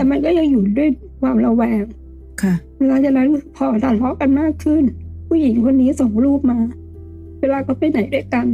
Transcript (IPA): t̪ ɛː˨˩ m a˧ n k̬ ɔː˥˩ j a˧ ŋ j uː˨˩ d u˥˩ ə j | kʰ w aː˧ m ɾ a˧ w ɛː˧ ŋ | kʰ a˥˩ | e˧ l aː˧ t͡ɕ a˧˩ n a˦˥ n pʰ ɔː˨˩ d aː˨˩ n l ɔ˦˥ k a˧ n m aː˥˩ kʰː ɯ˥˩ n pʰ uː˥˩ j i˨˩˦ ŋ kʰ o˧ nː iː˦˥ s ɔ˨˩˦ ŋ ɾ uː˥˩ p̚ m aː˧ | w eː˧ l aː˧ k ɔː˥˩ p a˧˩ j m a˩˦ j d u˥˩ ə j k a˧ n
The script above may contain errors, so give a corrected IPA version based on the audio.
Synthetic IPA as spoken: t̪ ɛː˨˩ m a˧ n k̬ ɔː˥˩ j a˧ ŋ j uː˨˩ d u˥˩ ə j | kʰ w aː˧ m ɾ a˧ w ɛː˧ ŋ | kʰ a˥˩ | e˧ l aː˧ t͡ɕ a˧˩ n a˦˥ n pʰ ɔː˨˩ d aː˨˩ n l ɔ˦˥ k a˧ n m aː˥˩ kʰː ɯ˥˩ n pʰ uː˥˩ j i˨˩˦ ŋ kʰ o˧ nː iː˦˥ s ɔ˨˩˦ ŋ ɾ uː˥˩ p̚ m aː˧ | w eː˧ l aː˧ k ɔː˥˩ p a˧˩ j n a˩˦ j d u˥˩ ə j k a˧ n